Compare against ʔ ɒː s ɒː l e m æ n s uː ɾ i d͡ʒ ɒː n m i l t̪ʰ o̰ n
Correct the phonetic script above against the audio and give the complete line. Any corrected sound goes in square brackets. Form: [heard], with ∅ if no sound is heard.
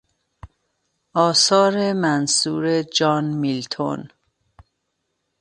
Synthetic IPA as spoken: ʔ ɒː s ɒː [ɾ] e m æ n s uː ɾ [e] d͡ʒ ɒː n m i l t̪ʰ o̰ n

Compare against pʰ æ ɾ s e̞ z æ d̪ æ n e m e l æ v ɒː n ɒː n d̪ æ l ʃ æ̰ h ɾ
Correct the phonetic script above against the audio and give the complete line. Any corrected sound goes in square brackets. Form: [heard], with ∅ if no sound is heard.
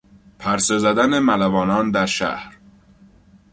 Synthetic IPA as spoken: pʰ æ ɾ s e̞ z æ d̪ æ n e m [æ] l æ v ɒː n ɒː n d̪ æ [ɾ] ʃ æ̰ h ɾ

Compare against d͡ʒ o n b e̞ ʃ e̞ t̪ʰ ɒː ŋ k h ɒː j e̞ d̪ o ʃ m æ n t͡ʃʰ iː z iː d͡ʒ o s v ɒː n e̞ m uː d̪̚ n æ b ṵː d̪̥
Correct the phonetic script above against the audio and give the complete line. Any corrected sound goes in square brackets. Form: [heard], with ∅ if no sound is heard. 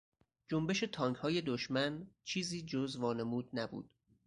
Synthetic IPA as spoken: d͡ʒ o [m] b e̞ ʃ e̞ t̪ʰ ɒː ŋ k h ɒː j e̞ d̪ o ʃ m æ n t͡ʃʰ iː z iː d͡ʒ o [z] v ɒː n e̞ m uː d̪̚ n æ b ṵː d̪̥

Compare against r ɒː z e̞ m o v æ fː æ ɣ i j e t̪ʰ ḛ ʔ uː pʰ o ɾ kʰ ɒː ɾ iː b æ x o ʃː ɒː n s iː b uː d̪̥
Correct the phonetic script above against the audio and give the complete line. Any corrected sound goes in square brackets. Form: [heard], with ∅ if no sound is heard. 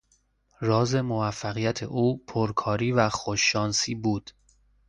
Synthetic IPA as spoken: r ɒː z e̞ m o v æ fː æ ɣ i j [æ] t̪ʰ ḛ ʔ uː pʰ o ɾ kʰ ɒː ɾ iː [v] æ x o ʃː ɒː n s iː b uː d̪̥

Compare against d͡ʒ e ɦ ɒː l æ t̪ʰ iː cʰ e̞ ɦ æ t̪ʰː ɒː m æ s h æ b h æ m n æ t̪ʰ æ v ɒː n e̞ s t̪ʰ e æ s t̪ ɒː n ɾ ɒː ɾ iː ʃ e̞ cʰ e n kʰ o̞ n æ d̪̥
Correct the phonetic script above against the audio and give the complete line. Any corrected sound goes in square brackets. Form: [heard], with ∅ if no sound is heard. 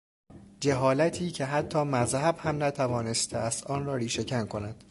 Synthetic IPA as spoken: d͡ʒ e ɦ ɒː l æ t̪ʰ iː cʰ e̞ ɦ æ t̪ʰː ɒː m æ [z] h æ b h æ m n æ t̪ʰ æ v ɒː n e̞ s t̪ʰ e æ s t̪ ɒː n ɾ ɒː ɾ iː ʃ e̞ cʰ [æ] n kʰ o̞ n æ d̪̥

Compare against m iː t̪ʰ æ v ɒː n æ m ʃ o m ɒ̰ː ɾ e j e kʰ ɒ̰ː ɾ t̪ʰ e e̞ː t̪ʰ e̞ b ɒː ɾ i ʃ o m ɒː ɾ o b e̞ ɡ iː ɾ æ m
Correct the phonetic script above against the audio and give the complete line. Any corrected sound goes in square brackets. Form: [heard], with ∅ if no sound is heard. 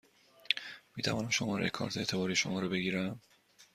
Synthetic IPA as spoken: m iː t̪ʰ æ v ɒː n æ m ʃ o m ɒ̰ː ɾ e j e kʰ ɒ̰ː ɾ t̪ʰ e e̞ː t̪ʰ e̞ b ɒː ɾ i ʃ o m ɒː ɾ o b e̞ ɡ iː ɾ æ m

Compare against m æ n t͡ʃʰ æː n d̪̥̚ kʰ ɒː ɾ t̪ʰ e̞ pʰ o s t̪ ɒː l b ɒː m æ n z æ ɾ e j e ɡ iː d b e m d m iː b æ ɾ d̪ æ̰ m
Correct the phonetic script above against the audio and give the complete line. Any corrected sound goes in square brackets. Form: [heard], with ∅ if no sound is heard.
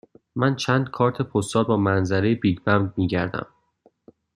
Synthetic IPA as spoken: m æ n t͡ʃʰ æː n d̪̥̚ kʰ ɒː ɾ t̪ʰ e̞ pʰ o s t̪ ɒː l b ɒː m æ n z æ ɾ e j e [b] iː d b [æ] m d m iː [ɟ] æ ɾ d̪ æ̰ m

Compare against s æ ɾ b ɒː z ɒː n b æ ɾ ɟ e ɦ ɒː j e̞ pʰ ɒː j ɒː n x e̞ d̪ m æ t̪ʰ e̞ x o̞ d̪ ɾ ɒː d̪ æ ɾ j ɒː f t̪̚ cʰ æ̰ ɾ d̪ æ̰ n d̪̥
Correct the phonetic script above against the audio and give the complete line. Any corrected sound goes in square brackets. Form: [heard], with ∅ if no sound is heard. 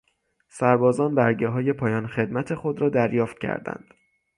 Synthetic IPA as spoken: s æ ɾ b ɒː z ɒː n b æ ɾ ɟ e ɦ ɒː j e̞ pʰ ɒː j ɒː n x e̞ d̪ m æ t̪ʰ e̞ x o̞ d̪ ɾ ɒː d̪ æ ɾ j ɒː f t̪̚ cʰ æ̰ ɾ d̪ æ̰ n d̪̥

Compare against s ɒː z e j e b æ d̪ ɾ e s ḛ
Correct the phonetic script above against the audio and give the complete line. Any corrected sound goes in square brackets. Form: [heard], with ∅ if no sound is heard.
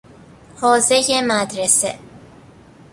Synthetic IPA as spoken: [h] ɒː z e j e [m] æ d̪ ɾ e s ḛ

